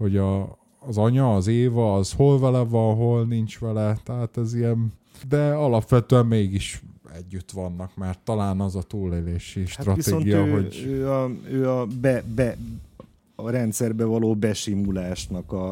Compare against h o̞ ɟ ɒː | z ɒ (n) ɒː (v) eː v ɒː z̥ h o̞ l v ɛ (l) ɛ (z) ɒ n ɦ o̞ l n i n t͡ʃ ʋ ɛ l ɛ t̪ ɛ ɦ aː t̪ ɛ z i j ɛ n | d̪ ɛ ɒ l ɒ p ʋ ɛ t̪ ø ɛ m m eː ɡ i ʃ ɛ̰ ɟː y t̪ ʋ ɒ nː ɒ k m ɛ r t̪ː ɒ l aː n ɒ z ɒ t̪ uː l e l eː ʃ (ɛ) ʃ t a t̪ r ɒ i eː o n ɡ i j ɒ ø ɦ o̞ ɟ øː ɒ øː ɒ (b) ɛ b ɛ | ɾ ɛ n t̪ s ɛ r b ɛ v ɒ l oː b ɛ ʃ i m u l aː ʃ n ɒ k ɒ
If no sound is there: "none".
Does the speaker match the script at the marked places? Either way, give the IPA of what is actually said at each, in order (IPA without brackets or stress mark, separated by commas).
ɲ, z, l, v, i, b